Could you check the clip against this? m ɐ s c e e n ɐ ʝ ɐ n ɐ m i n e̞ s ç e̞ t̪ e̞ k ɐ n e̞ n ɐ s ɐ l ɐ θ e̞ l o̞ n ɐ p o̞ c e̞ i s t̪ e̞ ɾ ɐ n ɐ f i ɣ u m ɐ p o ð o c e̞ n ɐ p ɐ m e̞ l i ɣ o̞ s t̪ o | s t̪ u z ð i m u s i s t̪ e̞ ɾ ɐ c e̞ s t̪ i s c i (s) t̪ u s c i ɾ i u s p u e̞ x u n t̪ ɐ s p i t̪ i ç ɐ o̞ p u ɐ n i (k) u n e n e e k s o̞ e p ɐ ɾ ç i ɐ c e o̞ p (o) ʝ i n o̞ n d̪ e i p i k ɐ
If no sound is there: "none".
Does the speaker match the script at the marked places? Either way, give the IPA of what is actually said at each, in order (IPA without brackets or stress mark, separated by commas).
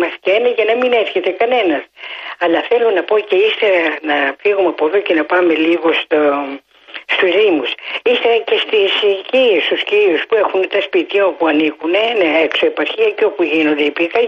s, k, u